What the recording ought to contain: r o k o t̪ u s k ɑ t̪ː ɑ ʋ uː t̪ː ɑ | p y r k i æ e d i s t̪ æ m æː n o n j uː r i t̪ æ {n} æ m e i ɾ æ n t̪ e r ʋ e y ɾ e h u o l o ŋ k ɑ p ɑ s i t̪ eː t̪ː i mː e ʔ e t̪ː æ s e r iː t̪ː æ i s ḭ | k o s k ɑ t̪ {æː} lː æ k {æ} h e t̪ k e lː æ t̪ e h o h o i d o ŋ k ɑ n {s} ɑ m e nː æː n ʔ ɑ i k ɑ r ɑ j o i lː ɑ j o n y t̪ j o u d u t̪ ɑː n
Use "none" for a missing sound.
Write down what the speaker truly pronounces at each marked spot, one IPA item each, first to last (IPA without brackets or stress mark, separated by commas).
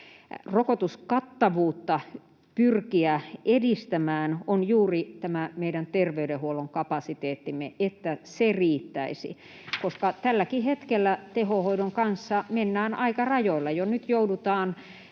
m, æ, i, sː